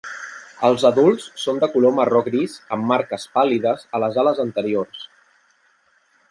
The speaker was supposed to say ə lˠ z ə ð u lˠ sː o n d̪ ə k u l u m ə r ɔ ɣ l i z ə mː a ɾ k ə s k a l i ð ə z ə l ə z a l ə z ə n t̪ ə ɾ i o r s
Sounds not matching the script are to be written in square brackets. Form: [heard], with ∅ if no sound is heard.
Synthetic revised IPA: ə lˠ z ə ð u lˠ sː o n d̪ ə k u l [o] m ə r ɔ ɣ [ɾ] i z ə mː a ɾ k ə s [p] a l i ð ə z ə l ə z a l ə z ə n t̪ ə ɾ i o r s